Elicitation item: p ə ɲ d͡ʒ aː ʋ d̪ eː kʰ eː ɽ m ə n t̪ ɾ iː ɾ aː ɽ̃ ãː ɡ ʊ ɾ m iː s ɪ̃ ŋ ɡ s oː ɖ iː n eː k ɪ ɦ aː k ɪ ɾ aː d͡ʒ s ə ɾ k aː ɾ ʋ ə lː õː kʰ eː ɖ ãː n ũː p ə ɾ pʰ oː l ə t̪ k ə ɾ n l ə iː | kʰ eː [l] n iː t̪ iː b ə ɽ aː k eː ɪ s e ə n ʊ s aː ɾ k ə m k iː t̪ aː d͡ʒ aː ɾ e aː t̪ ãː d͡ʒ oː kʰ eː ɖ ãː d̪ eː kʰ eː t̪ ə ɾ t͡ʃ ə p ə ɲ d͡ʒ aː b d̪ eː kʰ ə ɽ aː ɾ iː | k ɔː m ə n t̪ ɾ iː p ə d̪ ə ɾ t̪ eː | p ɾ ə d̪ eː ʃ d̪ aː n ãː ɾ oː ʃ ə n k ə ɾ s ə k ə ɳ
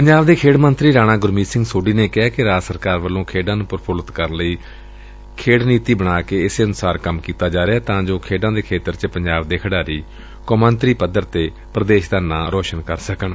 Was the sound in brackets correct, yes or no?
no